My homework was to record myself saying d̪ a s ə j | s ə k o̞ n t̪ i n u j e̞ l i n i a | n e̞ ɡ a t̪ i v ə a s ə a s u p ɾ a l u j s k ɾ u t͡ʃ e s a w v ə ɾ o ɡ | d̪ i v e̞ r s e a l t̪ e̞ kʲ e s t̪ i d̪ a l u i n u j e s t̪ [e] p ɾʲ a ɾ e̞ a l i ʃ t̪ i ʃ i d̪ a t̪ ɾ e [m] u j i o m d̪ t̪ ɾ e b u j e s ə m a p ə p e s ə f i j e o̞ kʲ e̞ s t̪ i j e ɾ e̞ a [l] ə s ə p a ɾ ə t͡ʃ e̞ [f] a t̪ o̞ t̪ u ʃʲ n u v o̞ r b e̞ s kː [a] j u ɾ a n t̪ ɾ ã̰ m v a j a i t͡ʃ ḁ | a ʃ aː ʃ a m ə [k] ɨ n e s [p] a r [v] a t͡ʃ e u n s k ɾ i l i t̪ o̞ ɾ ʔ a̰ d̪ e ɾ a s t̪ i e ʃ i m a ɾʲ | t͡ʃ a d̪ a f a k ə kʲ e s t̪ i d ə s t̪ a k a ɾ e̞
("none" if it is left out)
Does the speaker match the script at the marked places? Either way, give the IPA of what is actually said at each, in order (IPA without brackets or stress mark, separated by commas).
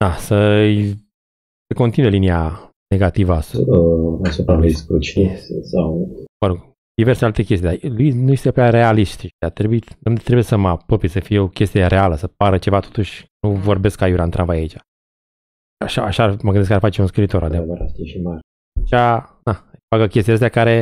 e, b, l, v, a, ɡ, k, f